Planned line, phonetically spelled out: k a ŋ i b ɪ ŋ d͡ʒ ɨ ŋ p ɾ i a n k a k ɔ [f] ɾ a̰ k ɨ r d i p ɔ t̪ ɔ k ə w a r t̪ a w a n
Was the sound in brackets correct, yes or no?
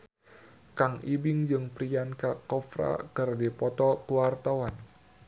yes